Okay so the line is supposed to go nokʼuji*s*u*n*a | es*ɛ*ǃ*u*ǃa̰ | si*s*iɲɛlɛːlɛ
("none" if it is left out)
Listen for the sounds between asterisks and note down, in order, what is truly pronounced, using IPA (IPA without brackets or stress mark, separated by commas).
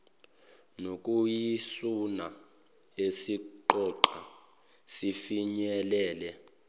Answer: s, n, i, ɔ, f